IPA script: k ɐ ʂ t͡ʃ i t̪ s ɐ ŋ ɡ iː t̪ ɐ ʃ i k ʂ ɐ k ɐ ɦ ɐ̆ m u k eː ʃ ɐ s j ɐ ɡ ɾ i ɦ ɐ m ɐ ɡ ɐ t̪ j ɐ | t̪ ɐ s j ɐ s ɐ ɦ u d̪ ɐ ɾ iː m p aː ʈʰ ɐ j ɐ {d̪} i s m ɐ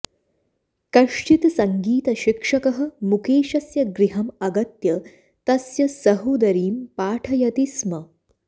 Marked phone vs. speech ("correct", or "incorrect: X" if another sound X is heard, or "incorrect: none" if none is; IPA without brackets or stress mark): incorrect: t̪